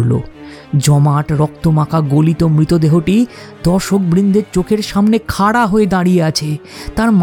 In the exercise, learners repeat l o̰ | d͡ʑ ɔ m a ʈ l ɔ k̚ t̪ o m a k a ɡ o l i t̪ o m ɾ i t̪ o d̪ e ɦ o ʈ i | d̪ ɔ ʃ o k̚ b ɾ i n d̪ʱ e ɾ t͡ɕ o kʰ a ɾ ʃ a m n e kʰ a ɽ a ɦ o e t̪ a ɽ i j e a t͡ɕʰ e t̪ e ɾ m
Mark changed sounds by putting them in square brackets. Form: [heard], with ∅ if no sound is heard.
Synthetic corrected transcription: l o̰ | d͡ʑ ɔ m a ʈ [ɾ] ɔ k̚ t̪ o m a k a ɡ o l i t̪ o m ɾ i t̪ o d̪ e ɦ o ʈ i | d̪ ɔ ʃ o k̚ b ɾ i n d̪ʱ e ɾ t͡ɕ o kʰ [e] ɾ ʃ a m n e kʰ a ɽ a ɦ o e [d̪] a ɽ i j e a t͡ɕʰ e t̪ [a] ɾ m